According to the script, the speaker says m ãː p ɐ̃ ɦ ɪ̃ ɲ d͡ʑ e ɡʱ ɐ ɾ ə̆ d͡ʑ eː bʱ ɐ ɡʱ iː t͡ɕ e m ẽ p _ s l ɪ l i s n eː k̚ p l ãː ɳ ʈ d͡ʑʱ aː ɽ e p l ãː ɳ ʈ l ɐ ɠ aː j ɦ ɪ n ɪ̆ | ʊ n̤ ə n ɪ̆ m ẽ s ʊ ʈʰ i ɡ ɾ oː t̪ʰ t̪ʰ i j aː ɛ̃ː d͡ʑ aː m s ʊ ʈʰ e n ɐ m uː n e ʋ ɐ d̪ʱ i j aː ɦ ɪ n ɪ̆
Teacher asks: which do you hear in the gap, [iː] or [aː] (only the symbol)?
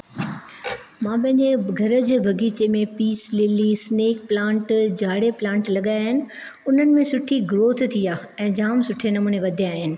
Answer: iː